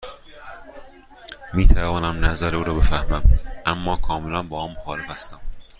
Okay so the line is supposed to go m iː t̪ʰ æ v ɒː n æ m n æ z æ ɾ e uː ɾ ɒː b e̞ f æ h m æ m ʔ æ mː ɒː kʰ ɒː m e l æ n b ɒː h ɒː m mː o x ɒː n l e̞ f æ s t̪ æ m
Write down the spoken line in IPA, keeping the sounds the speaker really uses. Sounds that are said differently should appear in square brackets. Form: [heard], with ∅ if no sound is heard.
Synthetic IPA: m iː t̪ʰ æ v ɒː n æ m n æ z æ ɾ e uː ɾ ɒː b e̞ f æ h m æ m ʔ æ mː ɒː kʰ ɒː m e l æ n b ɒː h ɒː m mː o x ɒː [∅] l e̞ f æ s t̪ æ m